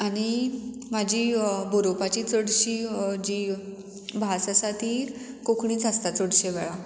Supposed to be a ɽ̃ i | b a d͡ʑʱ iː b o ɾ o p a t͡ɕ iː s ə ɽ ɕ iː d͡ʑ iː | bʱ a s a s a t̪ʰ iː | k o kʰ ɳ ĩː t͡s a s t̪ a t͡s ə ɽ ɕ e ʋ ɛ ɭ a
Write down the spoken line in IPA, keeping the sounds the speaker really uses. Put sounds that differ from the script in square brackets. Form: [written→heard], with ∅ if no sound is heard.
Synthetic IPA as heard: a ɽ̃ i | [b→m] a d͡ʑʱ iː b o ɾ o p a t͡ɕ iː [s→t͡s] ə ɽ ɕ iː d͡ʑ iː | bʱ a s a s a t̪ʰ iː | k o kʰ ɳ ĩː t͡s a s t̪ a t͡s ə ɽ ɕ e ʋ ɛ ɭ a